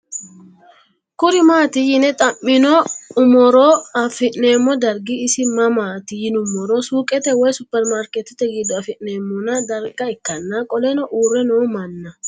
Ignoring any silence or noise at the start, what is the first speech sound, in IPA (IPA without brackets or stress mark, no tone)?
k